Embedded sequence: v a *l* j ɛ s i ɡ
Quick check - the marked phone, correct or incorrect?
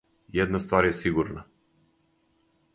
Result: incorrect